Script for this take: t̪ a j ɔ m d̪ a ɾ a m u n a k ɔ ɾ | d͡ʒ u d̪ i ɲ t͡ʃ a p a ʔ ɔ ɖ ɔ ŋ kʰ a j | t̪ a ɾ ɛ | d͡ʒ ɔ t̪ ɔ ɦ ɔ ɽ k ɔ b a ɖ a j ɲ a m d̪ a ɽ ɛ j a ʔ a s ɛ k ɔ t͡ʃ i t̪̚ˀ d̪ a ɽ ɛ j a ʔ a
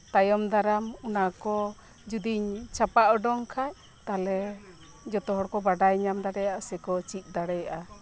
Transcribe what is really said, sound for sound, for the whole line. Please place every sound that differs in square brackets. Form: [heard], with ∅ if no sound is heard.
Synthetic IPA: t̪ a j ɔ m d̪ a ɾ a m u n a k ɔ [∅] | d͡ʒ u d̪ i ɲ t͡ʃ a p a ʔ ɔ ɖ ɔ ŋ kʰ a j | t̪ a [l] ɛ | d͡ʒ ɔ t̪ ɔ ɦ ɔ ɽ k ɔ b a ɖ a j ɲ a m d̪ a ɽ ɛ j a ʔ a s ɛ k ɔ t͡ʃ i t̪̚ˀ d̪ a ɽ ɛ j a ʔ a